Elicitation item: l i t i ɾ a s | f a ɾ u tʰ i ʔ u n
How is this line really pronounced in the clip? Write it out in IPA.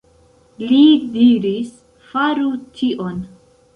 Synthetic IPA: l i d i ɾ i s | f a ɾ u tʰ i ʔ o n